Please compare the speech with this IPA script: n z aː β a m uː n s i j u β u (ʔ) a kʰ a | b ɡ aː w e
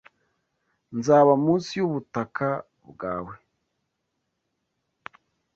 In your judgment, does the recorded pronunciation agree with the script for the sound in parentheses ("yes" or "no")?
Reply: no